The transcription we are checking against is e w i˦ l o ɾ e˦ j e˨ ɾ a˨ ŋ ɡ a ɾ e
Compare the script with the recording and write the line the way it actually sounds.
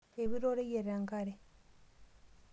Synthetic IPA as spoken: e β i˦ ɾ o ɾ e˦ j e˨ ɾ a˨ ŋ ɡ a ɾ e